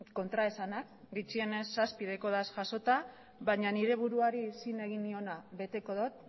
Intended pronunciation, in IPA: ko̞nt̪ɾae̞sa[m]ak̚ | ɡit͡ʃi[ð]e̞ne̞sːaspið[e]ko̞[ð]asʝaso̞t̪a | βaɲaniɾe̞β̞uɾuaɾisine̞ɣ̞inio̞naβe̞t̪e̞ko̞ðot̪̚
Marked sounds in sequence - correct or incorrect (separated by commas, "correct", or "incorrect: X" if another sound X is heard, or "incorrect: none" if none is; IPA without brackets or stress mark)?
incorrect: n, incorrect: none, correct, correct